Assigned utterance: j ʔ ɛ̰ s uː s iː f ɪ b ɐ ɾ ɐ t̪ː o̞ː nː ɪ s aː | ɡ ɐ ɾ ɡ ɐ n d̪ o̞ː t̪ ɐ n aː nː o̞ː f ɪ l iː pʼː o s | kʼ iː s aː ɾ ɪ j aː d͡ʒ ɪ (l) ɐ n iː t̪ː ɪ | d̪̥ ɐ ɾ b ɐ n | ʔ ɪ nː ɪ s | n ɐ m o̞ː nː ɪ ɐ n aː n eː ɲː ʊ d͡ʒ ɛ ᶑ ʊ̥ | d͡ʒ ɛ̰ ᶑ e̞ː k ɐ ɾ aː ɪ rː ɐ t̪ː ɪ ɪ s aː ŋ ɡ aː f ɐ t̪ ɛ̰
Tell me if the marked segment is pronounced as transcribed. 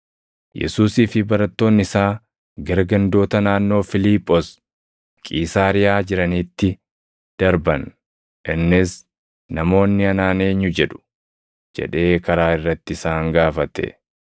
no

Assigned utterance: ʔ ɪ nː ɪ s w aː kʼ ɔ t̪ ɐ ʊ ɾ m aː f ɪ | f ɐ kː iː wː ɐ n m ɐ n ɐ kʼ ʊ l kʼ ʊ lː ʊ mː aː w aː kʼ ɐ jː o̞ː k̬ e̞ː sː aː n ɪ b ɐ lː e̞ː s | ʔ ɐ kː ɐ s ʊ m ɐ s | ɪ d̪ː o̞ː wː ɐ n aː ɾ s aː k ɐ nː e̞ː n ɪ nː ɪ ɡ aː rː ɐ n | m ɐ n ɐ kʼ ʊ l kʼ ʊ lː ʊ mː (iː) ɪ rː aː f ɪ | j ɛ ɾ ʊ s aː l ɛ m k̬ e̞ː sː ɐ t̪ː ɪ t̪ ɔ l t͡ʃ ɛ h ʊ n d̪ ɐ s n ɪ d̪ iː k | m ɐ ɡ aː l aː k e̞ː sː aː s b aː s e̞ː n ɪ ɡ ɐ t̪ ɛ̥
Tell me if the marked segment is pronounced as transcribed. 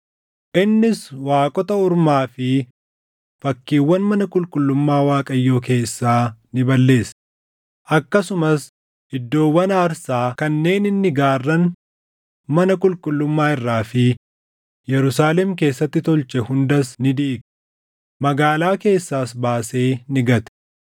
no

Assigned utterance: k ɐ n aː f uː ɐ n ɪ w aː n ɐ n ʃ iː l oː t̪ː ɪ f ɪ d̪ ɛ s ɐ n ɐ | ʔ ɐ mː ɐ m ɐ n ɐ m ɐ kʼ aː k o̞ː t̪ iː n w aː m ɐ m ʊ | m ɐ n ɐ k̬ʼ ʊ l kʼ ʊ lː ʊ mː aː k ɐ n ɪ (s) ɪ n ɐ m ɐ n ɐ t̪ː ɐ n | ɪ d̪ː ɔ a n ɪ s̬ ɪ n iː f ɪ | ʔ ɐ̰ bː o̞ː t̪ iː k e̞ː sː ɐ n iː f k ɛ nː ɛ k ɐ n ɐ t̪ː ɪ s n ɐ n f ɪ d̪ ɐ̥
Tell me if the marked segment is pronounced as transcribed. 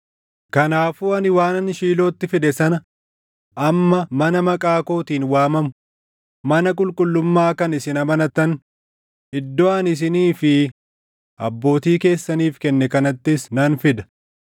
yes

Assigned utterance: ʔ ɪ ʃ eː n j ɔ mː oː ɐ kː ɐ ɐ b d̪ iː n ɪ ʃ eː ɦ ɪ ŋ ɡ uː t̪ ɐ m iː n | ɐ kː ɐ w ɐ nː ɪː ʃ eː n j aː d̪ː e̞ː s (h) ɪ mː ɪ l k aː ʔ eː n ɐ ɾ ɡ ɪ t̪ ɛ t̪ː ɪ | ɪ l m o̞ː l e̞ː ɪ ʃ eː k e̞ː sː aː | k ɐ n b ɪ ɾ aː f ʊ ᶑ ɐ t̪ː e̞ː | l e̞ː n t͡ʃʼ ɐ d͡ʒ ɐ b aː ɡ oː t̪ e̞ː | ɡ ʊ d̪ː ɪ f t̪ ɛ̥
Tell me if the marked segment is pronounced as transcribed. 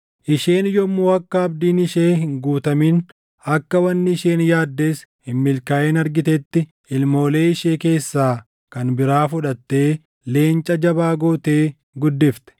yes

